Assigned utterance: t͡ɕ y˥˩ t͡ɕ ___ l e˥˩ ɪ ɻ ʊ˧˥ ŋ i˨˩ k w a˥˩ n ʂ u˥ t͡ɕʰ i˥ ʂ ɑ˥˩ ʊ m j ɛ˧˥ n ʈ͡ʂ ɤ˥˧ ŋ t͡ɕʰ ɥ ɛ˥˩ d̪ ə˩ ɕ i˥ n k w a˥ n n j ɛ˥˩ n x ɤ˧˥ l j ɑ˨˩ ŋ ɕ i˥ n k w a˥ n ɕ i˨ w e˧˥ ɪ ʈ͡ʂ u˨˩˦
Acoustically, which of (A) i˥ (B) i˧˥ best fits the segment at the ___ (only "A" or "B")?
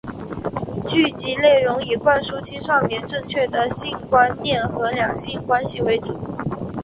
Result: B